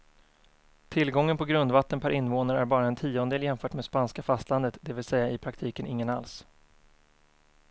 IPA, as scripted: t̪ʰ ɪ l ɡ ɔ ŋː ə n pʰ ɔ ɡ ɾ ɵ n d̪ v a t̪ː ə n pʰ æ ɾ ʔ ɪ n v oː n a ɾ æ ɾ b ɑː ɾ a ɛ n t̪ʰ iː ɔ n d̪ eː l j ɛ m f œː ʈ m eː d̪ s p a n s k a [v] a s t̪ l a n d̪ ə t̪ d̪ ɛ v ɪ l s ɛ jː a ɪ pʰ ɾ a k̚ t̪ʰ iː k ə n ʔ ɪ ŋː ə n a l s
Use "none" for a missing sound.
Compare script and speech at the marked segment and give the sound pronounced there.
f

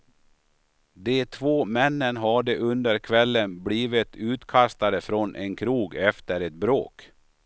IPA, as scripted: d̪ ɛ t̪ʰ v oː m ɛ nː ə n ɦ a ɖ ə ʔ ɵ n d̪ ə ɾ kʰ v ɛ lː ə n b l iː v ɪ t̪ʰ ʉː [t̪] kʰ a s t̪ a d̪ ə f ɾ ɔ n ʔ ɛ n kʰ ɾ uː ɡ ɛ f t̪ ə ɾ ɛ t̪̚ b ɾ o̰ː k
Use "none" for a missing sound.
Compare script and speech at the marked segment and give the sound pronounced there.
t̪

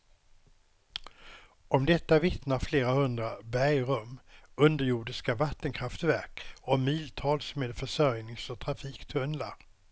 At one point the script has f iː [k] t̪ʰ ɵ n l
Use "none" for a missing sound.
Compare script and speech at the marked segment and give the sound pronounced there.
k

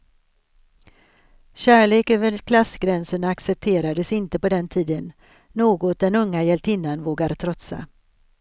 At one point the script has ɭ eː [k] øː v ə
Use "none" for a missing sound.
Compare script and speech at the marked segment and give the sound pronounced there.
k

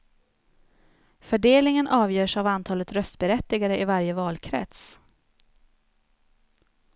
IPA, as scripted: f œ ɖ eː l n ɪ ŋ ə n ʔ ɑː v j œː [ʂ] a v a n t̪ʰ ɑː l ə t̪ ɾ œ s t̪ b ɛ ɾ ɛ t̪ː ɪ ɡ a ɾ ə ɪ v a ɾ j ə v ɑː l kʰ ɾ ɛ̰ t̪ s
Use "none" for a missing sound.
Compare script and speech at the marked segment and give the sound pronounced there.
ʂ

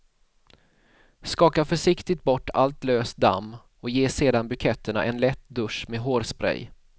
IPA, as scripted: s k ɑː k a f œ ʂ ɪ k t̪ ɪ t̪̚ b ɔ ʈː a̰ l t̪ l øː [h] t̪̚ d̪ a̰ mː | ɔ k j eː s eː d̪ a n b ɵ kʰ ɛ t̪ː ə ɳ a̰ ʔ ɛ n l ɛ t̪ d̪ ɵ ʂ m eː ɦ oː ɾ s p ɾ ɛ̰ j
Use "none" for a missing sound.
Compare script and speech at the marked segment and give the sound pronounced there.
s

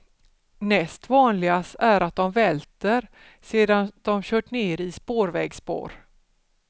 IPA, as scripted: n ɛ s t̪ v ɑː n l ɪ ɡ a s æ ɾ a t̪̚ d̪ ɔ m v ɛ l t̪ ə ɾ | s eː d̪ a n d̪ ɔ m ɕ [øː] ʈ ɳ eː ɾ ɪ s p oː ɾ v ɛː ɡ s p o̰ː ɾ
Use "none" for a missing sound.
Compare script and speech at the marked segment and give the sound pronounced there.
œː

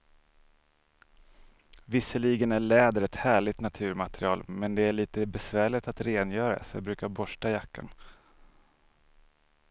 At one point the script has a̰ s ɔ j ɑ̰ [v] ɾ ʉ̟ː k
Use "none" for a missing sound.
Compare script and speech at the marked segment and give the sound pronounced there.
b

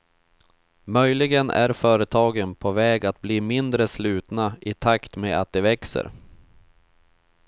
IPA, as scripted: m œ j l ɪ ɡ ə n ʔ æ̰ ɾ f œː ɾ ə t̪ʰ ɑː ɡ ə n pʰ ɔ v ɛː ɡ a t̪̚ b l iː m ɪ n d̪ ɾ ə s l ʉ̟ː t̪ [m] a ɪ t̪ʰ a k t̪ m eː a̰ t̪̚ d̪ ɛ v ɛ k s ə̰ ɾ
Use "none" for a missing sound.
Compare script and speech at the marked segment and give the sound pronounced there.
n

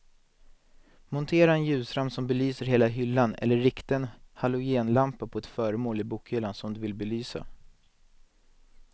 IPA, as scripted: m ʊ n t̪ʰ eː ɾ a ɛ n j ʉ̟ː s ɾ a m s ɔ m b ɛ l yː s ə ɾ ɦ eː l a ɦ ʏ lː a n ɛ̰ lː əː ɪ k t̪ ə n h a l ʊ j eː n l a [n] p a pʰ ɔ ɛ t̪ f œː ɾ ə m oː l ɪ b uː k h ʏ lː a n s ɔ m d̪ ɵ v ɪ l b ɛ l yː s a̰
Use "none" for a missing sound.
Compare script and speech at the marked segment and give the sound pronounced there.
m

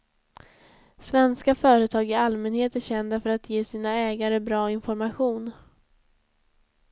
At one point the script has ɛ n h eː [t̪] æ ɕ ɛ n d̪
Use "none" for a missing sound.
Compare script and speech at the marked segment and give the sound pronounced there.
t̪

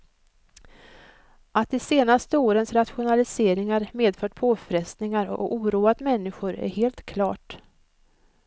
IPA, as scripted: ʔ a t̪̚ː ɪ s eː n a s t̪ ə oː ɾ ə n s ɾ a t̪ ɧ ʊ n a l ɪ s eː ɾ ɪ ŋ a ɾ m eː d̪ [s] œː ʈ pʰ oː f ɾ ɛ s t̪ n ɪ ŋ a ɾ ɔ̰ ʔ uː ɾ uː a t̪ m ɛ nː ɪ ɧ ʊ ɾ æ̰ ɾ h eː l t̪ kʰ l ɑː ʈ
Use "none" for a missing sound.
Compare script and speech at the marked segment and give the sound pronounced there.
f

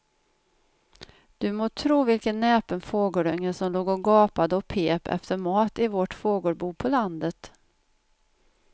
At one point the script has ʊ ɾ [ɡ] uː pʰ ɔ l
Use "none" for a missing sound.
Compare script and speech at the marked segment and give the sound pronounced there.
b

